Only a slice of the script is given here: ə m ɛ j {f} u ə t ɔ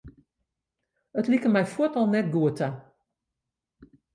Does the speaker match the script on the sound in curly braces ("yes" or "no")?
yes